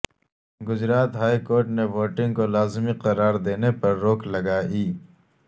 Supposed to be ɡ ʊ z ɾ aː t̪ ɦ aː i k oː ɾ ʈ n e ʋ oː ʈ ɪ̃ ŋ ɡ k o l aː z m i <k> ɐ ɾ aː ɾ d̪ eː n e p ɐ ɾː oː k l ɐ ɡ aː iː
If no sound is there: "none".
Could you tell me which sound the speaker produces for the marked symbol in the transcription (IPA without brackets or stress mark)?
q